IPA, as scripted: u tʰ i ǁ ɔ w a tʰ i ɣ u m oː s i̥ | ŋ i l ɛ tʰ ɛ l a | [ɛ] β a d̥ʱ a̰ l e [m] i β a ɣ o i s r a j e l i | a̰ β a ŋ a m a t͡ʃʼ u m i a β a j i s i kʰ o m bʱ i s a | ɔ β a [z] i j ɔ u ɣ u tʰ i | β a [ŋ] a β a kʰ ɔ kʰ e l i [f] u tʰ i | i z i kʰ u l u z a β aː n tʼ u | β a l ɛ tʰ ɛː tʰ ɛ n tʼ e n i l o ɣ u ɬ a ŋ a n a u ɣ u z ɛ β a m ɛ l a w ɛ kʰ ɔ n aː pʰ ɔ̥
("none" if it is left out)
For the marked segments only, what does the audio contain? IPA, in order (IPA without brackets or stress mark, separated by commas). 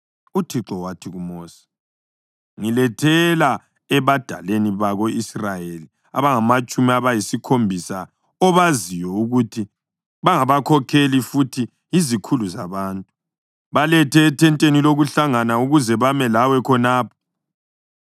ɛ, n, z, ŋ, f